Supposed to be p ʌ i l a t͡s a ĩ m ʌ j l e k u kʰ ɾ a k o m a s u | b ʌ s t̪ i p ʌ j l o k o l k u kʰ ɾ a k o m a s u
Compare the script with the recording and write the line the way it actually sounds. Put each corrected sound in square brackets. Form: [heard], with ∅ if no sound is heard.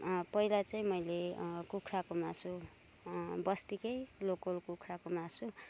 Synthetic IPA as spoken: p ʌ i l a t͡s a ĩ m ʌ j l e k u kʰ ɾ a k o m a s u | b ʌ s t̪ i [k] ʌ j l o k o l k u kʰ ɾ a k o m a s u